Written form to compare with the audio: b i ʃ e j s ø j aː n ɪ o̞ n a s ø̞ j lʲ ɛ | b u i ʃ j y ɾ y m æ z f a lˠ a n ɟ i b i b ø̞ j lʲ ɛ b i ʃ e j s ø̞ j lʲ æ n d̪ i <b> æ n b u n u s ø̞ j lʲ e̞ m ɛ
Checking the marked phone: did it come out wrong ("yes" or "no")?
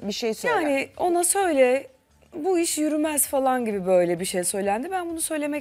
no